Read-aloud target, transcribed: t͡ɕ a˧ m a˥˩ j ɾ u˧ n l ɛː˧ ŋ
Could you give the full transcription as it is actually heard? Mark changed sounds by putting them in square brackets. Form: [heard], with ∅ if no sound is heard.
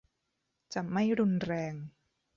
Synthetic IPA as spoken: t͡ɕ [a˨˩] m a˥˩ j ɾ u˧ n [ɾ] ɛː˧ ŋ